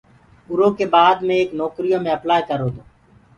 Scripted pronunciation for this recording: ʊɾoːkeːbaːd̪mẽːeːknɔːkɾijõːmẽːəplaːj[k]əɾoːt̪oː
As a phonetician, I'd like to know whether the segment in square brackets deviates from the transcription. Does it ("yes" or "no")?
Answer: no